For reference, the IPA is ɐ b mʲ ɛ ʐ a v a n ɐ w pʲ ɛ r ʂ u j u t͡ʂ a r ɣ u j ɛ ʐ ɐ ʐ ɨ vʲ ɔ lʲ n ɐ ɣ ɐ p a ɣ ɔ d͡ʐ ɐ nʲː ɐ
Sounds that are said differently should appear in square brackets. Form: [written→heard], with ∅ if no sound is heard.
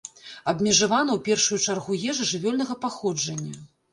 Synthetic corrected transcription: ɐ b mʲ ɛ ʐ a v a n ɐ w pʲ ɛ r ʂ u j u t͡ʂ a r ɣ u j ɛ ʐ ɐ ʐ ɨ vʲ ɔ lʲ n ɐ ɣ ɐ p a [ɣ→x] ɔ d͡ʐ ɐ nʲː ɐ